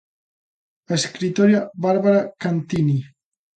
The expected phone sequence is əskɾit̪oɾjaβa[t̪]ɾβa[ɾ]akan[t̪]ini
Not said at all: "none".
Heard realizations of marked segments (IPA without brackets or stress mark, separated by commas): none, ɾ, t̪